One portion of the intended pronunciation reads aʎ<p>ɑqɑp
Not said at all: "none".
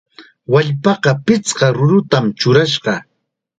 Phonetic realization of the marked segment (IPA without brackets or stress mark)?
p